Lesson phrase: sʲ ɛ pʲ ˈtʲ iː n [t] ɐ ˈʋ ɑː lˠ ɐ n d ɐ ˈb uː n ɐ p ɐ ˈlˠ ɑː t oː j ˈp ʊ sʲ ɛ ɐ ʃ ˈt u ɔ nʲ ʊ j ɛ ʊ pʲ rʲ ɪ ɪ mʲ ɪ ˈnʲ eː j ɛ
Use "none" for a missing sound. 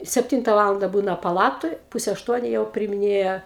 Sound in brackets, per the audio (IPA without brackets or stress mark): t